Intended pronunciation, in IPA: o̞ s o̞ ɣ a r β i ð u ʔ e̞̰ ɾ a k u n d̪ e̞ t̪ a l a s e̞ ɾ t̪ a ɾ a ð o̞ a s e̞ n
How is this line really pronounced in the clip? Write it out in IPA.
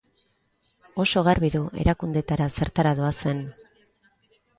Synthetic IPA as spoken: o̞ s o̞ ɣ a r β i ð u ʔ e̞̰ ɾ a k u n d̪ e̞ t̪ a ɾ a s e̞ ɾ t̪ a ɾ a ð o̞ a s e̞ n